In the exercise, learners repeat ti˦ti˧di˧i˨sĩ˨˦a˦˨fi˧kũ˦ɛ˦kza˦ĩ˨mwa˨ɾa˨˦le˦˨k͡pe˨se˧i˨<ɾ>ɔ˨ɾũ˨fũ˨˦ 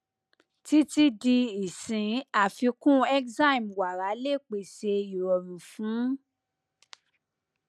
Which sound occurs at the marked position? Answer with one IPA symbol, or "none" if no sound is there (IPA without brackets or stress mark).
ɾ